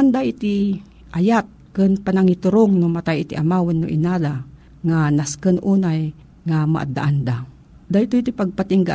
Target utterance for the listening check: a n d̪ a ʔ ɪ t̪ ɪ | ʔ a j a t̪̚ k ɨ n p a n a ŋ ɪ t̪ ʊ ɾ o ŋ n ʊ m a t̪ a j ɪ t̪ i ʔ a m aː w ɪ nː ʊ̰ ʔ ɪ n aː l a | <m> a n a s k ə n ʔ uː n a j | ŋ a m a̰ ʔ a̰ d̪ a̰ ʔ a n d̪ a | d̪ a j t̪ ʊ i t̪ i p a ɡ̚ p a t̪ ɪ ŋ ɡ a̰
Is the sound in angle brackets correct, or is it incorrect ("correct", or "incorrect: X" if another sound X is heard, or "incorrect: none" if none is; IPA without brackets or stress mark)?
incorrect: ŋ